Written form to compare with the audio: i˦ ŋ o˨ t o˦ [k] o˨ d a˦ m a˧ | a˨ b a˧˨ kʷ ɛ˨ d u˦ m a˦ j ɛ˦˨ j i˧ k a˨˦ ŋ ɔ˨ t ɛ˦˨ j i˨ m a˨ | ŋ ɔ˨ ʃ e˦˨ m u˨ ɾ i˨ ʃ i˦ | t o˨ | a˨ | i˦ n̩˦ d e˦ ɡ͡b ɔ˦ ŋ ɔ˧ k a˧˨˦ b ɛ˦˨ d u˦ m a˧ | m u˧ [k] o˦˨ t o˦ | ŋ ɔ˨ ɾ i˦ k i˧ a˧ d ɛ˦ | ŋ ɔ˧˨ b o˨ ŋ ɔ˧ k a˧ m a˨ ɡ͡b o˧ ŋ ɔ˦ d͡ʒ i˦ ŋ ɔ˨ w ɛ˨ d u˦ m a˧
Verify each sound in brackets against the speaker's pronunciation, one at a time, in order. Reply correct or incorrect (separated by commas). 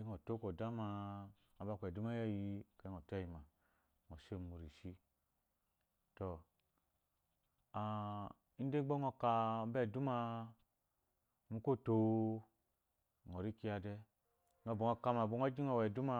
correct, correct